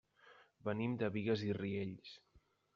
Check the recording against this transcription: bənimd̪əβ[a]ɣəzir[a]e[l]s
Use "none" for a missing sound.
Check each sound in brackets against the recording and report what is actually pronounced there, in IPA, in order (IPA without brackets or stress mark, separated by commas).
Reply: i, i, ʎ